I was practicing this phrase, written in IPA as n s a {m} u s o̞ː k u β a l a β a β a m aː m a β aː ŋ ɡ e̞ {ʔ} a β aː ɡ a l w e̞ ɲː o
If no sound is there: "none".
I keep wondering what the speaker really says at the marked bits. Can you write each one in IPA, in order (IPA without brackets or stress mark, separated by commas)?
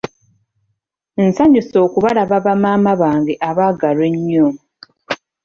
ɲ, ʔ